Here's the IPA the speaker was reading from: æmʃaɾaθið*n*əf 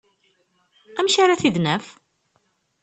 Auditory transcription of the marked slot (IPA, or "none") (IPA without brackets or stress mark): n